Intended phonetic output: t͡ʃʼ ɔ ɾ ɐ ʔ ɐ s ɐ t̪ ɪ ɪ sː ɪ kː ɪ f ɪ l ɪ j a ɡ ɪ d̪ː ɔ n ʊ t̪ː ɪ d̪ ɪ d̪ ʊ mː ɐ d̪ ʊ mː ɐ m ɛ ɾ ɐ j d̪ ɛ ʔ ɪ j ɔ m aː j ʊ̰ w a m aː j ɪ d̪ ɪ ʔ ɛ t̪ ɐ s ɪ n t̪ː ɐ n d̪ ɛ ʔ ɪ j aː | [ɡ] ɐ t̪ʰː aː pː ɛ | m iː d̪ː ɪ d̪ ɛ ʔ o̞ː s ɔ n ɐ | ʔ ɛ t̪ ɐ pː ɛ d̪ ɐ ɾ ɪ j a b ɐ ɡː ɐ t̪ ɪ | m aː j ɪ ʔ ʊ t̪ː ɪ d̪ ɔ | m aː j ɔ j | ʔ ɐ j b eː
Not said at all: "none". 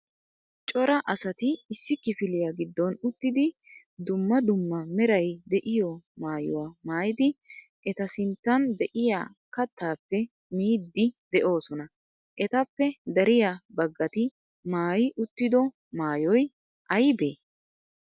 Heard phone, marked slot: k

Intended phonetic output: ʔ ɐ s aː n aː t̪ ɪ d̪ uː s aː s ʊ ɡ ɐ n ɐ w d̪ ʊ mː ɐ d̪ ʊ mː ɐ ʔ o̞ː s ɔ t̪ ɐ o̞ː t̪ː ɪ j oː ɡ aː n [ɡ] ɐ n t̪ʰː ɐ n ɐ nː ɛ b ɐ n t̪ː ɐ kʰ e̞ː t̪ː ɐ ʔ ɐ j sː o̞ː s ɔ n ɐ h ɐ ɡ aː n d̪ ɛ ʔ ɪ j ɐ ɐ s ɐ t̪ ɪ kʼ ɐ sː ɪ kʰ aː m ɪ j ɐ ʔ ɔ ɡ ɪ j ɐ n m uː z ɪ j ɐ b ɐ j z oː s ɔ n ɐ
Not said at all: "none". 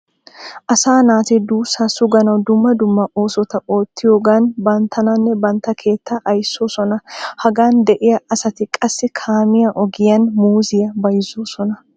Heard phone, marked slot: b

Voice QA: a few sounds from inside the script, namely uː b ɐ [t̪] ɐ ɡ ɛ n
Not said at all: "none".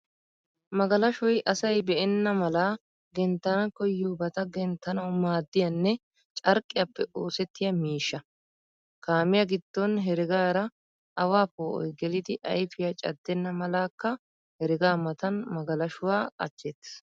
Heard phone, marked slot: t̪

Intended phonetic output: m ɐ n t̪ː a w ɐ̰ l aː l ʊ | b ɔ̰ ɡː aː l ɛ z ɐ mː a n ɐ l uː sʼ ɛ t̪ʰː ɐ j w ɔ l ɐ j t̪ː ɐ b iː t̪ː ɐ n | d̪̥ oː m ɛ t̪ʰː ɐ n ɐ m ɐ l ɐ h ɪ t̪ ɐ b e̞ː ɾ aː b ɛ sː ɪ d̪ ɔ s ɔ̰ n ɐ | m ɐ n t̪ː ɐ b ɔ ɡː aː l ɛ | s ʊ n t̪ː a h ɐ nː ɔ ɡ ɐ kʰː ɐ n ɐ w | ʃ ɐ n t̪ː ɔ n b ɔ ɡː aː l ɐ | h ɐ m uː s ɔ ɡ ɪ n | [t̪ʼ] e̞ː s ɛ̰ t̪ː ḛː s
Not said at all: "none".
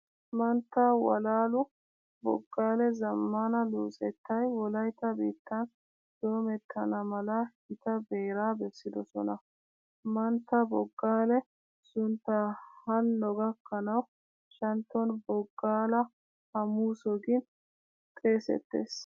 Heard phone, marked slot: t̪ʼ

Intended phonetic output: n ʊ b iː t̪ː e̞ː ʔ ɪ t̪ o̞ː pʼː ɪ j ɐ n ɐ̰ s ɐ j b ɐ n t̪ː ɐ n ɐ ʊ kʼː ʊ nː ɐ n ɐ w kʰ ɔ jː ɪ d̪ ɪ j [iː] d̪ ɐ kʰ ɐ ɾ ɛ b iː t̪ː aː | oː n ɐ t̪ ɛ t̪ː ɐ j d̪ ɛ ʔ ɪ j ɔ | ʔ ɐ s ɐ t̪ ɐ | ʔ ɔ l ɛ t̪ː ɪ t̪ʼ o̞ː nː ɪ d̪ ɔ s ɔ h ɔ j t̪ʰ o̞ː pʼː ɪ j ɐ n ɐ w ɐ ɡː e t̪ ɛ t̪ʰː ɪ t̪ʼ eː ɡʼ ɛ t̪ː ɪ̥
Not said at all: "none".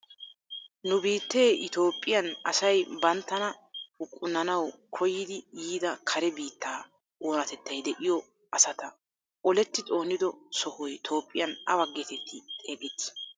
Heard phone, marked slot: iː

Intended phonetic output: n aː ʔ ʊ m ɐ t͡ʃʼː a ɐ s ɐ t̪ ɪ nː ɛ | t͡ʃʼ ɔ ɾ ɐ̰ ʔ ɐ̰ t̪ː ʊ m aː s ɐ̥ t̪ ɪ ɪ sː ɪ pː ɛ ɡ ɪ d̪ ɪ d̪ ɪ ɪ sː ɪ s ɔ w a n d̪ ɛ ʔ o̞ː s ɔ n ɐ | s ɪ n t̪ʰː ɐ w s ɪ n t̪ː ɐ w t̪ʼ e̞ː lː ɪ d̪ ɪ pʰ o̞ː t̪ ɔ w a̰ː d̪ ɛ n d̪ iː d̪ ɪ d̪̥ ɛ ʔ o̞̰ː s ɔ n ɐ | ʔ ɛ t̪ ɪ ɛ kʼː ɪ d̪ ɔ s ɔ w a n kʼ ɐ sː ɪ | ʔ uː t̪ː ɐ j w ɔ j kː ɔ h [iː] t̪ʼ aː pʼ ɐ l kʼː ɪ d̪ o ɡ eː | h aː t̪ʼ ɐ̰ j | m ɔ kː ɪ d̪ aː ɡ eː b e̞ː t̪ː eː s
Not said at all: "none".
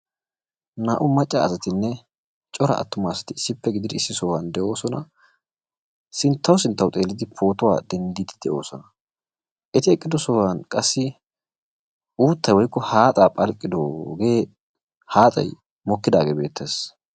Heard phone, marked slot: aː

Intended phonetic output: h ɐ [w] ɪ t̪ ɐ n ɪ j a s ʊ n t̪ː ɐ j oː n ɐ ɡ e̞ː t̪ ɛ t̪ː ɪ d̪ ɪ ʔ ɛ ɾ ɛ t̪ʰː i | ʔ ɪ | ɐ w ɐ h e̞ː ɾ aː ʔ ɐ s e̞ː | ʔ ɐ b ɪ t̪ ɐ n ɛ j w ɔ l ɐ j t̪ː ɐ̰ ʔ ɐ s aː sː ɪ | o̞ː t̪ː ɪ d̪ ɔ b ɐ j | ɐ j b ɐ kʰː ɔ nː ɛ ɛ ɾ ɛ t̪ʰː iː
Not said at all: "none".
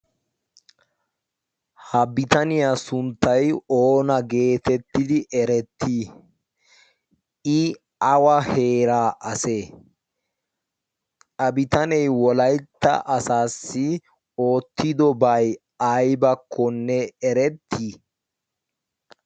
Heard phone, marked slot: b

